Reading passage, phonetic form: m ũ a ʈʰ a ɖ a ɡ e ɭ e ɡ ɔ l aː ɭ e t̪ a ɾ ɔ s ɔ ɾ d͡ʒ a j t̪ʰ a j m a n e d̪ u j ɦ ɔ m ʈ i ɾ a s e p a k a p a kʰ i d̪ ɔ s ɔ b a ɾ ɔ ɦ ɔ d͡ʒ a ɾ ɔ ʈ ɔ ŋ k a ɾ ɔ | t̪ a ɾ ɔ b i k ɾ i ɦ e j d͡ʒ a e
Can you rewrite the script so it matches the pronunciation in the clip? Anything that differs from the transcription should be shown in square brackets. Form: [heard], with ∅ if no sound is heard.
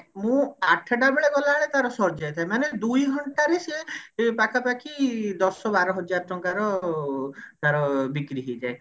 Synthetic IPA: m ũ a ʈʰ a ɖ a [b] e ɭ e ɡ ɔ l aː ɭ e t̪ a ɾ ɔ s ɔ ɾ d͡ʒ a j t̪ʰ a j m a n e d̪ u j ɦ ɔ [ɳ] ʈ [a] ɾ [e] s e p a k a p a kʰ i d̪ ɔ s ɔ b a ɾ ɔ ɦ ɔ d͡ʒ a ɾ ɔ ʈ ɔ ŋ k a ɾ ɔ | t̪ a ɾ ɔ b i k ɾ i ɦ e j d͡ʒ a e